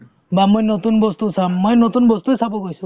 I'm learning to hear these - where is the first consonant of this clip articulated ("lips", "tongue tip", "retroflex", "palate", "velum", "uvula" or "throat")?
lips